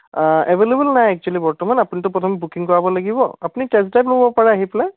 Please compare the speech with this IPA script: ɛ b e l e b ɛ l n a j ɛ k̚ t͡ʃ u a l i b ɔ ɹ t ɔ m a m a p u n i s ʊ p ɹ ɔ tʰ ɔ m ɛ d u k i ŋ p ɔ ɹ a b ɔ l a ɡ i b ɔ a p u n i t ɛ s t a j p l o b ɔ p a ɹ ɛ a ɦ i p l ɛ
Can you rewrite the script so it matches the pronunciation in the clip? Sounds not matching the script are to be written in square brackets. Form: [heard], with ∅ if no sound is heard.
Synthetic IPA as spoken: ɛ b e l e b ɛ l n a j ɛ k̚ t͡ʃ u a l i b ɔ ɹ t ɔ m a [n] a p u n i [t] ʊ p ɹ ɔ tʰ ɔ m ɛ [b] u k i ŋ [k] ɔ ɹ a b ɔ l a ɡ i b ɔ a p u n i t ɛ s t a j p l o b ɔ p a ɹ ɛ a ɦ i p l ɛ